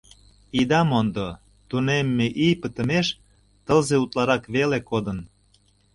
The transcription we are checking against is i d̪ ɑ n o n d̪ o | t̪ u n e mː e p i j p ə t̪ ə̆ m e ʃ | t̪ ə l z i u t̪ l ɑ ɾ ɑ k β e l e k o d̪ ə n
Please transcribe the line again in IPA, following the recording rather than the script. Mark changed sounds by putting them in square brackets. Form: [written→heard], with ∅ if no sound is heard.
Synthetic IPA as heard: i d̪ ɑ [n→m] o n d̪ o | t̪ u n e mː e [p→ʔ] i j p ə t̪ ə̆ m e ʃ | t̪ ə l z [i→e] u t̪ l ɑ ɾ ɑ k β e l e k o d̪ ə n